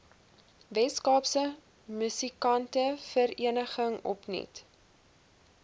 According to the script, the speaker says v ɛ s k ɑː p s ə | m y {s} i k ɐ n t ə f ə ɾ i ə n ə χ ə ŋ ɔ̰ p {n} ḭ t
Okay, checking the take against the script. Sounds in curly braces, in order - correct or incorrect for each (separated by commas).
correct, correct